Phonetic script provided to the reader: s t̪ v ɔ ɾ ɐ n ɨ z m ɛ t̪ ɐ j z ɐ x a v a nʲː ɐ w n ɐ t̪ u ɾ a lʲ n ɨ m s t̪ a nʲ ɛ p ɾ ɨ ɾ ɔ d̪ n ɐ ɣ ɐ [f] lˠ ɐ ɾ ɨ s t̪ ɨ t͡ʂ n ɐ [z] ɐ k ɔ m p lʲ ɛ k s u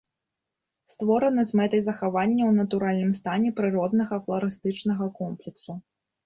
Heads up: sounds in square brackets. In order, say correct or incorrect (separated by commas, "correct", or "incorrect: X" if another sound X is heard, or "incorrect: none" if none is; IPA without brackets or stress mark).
correct, incorrect: ɣ